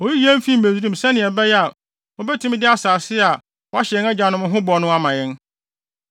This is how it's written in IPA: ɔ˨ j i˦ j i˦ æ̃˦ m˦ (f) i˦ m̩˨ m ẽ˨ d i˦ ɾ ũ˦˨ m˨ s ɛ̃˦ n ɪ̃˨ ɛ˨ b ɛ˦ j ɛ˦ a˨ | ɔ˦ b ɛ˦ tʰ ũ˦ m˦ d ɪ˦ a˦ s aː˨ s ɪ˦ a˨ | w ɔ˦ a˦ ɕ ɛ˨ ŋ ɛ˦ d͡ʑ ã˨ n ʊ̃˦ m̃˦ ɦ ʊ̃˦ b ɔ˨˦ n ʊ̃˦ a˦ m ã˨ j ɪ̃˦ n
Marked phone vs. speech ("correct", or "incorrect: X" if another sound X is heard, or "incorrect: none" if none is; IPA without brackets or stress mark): correct